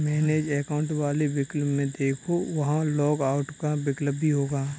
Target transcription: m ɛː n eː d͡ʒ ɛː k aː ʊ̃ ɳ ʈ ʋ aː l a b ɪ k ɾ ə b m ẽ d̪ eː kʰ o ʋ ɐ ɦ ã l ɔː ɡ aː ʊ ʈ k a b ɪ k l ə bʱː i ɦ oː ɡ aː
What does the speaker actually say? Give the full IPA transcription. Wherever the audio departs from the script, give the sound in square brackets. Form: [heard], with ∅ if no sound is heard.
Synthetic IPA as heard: m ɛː n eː d͡ʒ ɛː k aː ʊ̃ ɳ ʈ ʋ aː l [e] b ɪ k [l] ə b m ẽ d̪ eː kʰ o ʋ ɐ ɦ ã l ɔː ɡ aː ʊ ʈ k a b ɪ k l ə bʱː i ɦ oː ɡ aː